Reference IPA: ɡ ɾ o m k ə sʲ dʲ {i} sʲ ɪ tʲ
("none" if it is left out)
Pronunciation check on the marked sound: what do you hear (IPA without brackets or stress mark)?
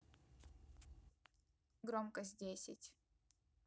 e